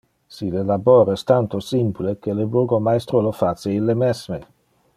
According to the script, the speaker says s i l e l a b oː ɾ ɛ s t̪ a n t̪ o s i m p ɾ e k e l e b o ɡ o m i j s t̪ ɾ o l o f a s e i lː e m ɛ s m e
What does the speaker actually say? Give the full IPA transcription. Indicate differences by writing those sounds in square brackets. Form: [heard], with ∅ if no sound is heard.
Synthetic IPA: s i l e l a b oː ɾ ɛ s t̪ a n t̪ o s i m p [l] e k e l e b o ɡ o m [a] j s t̪ ɾ o l o f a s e i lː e m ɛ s m e